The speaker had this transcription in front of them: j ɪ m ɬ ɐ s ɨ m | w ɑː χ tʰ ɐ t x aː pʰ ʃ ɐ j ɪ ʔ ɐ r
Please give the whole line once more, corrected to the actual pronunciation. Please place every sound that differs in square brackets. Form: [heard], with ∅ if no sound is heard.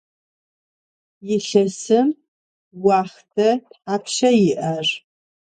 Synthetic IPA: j ɪ [∅] ɬ ɐ s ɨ m | w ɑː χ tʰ ɐ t [ħ] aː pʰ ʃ ɐ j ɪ ʔ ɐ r